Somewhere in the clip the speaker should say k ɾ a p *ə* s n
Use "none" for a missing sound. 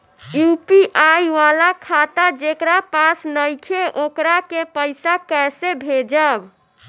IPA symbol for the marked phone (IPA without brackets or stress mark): a